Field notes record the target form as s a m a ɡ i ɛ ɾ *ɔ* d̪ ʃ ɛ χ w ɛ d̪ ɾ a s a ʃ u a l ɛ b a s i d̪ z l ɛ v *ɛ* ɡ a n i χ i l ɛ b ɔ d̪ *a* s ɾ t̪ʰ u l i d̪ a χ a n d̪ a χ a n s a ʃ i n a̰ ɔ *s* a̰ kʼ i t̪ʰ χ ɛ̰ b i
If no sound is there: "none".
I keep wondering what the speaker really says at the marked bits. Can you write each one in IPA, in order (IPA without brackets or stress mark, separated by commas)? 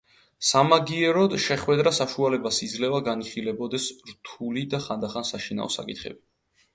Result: ɔ, a, ɛ, s